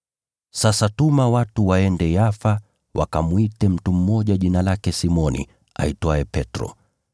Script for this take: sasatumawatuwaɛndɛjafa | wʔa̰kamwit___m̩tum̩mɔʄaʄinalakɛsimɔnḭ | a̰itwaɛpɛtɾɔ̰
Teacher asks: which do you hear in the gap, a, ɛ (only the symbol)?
ɛ